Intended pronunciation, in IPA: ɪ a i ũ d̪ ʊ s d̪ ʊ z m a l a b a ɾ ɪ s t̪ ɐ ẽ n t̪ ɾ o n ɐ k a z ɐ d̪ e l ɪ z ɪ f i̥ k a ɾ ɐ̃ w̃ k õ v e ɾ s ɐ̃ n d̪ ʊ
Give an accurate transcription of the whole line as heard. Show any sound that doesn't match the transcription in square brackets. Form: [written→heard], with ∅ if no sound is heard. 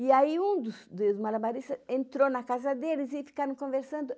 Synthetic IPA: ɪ a i ũ d̪ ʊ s d̪ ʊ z m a l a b a ɾ [ɪ→i] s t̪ ɐ ẽ n t̪ ɾ o n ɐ k a z ɐ d̪ e l ɪ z ɪ f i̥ k a ɾ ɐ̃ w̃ k õ v e ɾ s ɐ̃ n d̪ ʊ